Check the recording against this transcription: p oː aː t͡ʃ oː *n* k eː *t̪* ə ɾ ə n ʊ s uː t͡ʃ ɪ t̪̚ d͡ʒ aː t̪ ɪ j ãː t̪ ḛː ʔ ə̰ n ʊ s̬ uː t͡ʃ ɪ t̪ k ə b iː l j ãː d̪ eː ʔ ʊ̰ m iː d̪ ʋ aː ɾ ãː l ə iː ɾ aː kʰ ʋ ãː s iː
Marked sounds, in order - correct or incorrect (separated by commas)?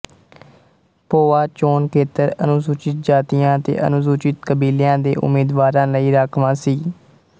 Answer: correct, correct